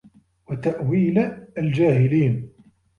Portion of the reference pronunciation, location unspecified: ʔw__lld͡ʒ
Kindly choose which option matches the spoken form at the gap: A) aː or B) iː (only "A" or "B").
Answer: B